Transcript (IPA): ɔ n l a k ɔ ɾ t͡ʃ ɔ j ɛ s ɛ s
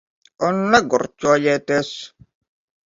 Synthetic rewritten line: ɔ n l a ɡ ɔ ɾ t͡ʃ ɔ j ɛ t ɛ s